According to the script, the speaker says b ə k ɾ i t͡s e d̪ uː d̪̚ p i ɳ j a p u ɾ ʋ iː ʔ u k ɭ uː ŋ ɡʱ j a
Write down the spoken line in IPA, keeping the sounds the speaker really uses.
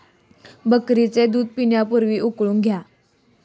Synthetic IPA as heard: b ə k ɾ i t͡s e d̪ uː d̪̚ p i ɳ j a p u ɾ ʋ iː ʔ u k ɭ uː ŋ ɡʱ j a